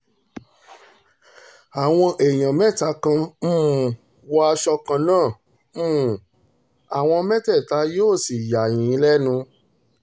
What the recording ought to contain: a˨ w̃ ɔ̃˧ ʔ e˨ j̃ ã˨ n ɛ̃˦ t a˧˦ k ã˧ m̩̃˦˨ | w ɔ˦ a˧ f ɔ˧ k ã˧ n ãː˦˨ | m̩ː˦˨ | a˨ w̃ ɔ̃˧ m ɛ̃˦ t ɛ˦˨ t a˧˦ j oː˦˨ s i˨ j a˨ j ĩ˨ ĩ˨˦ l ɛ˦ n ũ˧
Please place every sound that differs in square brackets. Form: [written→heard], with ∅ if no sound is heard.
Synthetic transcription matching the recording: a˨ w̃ ɔ̃˧ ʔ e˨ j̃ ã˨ [n→m] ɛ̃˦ t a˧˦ k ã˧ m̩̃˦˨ | w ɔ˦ a˧ [f→ʃ] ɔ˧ k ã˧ n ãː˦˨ | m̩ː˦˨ | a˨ w̃ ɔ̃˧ m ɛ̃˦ t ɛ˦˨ t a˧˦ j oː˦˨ s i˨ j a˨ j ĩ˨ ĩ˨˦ l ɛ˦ n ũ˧